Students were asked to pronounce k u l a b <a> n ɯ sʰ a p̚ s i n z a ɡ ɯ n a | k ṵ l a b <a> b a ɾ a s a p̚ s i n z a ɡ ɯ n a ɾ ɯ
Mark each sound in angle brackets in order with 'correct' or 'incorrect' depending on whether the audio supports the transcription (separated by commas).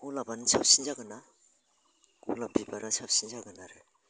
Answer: correct, incorrect